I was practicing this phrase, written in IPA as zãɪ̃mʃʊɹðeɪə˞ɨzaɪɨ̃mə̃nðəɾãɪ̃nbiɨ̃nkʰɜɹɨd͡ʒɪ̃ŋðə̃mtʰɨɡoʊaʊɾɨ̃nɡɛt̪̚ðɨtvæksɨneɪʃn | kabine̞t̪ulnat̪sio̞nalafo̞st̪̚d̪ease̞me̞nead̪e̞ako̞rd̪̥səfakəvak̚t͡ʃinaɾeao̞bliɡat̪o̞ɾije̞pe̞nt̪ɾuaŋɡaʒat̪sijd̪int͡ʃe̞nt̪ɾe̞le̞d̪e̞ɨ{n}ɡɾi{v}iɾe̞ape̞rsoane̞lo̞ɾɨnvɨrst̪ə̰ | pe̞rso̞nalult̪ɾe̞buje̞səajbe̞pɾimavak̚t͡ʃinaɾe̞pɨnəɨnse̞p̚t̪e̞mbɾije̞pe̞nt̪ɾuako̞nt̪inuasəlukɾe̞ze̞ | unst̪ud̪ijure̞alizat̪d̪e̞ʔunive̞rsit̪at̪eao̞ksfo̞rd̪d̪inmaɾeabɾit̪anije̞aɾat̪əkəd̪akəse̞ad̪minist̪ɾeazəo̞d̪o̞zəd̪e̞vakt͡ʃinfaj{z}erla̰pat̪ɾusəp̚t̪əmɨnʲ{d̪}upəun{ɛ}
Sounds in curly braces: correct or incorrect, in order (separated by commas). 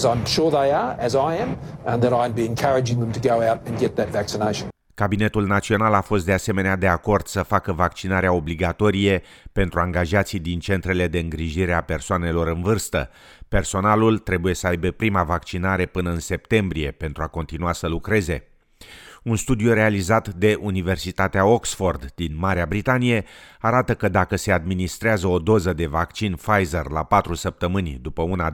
incorrect, incorrect, correct, correct, incorrect